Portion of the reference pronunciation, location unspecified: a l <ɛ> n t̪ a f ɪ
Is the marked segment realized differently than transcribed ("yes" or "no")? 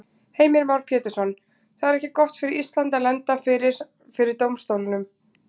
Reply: no